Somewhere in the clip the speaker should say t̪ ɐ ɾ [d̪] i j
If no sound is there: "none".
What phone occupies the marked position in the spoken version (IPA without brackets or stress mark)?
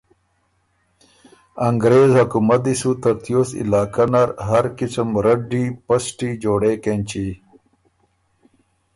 t̪